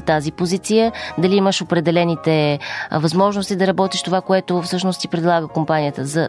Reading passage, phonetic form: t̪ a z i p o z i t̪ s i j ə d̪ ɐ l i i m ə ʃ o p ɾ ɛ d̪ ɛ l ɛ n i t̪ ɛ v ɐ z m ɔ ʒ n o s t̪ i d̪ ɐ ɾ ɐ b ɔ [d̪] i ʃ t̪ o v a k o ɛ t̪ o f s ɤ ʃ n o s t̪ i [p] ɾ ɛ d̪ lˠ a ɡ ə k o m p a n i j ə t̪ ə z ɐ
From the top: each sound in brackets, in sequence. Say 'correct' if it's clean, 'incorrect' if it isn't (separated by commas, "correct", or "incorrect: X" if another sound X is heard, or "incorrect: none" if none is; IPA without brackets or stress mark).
incorrect: t̪, correct